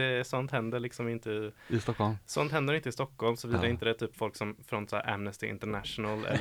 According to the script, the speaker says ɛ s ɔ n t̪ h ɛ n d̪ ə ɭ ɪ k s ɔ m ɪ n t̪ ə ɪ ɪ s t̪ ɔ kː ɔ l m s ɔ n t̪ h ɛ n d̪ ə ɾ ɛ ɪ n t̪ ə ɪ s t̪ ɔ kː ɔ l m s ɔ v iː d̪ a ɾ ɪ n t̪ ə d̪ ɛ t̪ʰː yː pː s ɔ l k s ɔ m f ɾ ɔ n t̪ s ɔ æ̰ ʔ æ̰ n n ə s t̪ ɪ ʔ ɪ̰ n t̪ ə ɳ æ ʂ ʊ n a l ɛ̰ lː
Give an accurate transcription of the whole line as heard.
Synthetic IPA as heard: ɛ s ɔ n t̪ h ɛ n d̪ ə ɭ ɪ k s ɔ m ɪ n t̪ ə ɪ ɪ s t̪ ɔ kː ɔ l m s ɔ n t̪ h ɛ n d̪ ə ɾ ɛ ɪ n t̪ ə ɪ s t̪ ɔ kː ɔ l m s ɔ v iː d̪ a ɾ ɪ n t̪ ə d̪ ɛ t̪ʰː yː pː f ɔ l k s ɔ m f ɾ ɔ n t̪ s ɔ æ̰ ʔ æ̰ m n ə s t̪ ɪ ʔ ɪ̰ n t̪ ə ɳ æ ʂ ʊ n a l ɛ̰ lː